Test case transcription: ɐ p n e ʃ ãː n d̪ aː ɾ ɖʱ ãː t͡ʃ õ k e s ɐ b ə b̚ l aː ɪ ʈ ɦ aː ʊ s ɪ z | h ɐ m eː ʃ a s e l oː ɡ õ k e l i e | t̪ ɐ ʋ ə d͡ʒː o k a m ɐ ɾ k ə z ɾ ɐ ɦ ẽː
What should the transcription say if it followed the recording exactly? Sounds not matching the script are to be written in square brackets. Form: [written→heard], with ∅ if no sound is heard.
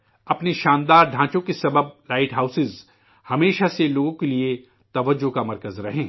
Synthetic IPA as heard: ɐ p n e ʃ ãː n d̪ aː ɾ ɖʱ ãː t͡ʃ õ k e s ɐ b ə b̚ l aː ɪ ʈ ɦ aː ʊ s ɪ z | h ɐ m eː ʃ a s e l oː ɡ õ k e l i e | t̪ ɐ ʋ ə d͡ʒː o k a m ɐ ɾ k ə z ɾ ɐ ɦ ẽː